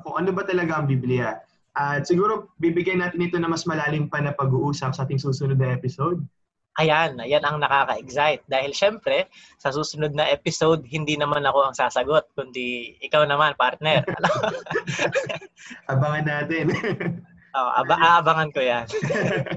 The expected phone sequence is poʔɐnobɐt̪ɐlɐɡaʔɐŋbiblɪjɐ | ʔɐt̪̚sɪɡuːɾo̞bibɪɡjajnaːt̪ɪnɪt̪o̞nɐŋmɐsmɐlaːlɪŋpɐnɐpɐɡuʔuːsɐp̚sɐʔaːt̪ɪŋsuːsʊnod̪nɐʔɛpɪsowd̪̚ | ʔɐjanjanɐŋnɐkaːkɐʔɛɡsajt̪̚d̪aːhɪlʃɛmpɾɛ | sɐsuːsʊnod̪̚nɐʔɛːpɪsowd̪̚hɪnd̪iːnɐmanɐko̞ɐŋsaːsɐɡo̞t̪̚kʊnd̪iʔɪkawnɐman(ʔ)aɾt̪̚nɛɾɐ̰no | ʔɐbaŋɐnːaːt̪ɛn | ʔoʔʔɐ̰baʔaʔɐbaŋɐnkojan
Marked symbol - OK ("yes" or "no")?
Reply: no